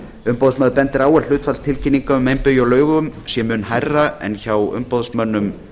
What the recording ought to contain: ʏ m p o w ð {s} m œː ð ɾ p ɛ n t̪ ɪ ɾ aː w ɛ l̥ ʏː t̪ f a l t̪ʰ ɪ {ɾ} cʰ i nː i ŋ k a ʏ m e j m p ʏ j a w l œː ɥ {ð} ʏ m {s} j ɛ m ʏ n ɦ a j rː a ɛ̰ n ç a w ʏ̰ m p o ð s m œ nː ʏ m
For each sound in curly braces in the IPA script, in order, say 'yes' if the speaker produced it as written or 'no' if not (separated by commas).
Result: yes, no, no, yes